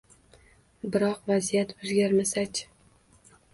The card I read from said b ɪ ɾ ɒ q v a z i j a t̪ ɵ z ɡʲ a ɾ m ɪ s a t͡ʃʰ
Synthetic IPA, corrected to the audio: b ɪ ɾ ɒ q v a z i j a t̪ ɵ z ɡʲ a ɾ m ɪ s a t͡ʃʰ